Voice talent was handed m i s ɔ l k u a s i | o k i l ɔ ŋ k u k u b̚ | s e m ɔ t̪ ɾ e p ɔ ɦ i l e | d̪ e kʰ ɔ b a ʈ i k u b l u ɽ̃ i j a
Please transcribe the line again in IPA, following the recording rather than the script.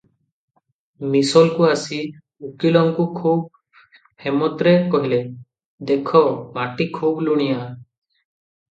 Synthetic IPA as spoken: m i s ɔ l k u a s i | u k i l ɔ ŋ k u kʰ u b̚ | h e m ɔ t̪ ɾ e k ɔ ɦ i l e | d̪ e kʰ ɔ m a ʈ i kʰ u b l u ɽ̃ i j a